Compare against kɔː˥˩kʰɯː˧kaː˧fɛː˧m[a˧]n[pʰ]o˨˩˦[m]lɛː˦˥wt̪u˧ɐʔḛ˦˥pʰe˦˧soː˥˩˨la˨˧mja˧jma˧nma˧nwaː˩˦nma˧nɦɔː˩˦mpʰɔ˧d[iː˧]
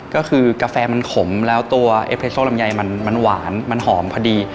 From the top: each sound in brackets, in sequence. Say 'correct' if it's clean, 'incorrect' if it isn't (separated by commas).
correct, incorrect, correct, correct